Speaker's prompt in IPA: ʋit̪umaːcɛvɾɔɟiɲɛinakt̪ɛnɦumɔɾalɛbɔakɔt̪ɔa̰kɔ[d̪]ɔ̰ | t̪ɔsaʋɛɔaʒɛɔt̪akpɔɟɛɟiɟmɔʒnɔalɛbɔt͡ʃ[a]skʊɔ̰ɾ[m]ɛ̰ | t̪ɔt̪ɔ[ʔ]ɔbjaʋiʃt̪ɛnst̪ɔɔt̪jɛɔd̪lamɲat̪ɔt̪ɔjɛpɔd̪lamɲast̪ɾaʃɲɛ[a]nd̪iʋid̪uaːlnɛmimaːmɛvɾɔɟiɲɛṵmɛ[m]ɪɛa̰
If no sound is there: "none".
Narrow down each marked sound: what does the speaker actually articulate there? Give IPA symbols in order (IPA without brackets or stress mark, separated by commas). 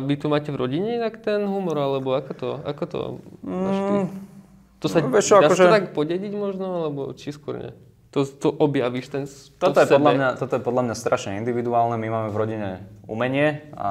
t̪, i, ɲ, ʔ, i, ɲ